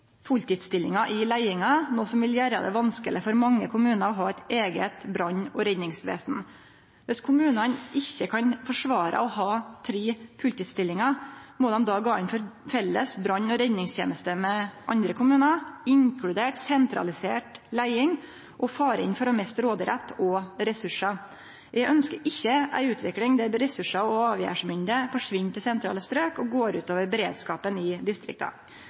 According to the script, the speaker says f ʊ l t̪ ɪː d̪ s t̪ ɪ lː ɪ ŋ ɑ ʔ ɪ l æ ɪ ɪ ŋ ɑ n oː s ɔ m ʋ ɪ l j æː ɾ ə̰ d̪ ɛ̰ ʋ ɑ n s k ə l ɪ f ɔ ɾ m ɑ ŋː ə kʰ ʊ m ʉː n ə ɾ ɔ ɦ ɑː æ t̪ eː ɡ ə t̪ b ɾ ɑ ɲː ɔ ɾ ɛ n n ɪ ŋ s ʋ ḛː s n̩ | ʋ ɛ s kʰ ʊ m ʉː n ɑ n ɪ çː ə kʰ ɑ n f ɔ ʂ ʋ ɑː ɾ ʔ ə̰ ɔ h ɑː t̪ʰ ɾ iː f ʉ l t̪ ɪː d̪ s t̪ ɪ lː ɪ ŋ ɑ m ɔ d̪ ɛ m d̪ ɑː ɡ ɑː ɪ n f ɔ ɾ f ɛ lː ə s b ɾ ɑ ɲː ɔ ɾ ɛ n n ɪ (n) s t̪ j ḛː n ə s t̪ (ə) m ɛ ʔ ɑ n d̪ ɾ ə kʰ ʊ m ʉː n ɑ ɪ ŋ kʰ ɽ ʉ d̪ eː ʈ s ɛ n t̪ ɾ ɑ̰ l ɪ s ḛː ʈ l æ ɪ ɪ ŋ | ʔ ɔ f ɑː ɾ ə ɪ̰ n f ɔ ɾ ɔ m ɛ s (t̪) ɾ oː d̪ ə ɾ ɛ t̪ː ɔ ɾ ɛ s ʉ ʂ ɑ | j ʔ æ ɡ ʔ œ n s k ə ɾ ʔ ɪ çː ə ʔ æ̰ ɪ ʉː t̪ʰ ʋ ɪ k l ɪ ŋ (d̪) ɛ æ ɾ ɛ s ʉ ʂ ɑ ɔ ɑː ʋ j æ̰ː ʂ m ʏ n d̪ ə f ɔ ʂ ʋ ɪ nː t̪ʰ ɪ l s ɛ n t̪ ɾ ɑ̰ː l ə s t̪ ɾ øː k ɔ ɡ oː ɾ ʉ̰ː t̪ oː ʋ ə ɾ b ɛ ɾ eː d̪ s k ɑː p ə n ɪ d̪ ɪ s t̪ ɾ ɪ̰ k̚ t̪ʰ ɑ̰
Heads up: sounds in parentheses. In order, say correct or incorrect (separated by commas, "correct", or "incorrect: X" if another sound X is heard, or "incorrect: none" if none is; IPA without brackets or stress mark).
incorrect: ŋ, correct, correct, correct